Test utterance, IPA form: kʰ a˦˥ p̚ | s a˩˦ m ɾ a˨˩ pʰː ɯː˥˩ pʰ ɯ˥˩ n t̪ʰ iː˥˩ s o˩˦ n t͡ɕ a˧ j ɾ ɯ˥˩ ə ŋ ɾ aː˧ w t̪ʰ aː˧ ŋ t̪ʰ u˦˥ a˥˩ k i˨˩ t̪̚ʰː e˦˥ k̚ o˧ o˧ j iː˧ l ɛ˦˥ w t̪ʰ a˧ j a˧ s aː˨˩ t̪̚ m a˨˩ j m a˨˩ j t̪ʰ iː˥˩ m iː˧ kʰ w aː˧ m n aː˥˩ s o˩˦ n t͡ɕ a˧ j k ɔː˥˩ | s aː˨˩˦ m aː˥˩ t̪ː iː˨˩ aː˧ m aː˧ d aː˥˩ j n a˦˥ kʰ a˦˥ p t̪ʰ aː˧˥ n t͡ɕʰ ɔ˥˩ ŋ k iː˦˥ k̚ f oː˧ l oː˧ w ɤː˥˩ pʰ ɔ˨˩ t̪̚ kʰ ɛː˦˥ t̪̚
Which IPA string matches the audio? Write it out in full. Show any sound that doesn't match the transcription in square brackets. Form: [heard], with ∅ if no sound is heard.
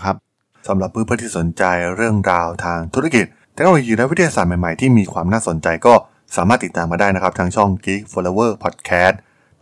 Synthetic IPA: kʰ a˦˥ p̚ | s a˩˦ m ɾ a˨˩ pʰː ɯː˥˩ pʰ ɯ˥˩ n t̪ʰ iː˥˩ s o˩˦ n t͡ɕ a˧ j ɾ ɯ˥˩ ə ŋ ɾ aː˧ w t̪ʰ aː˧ ŋ t̪ʰ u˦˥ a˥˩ k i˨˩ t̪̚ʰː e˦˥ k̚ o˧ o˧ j iː˧ l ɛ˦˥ w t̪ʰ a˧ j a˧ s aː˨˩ t̪̚ m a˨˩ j m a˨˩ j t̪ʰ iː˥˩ m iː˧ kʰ w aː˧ m n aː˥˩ s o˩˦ n t͡ɕ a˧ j k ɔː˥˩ | s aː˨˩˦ m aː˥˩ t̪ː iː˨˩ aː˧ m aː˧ d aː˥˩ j n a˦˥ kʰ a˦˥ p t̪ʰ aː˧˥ [ŋ] t͡ɕʰ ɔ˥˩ ŋ k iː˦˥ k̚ f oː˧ l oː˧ w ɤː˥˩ pʰ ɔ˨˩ t̪̚ kʰ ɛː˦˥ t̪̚